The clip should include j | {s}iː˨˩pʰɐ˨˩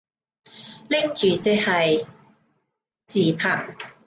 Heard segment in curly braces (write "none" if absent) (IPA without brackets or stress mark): t͡s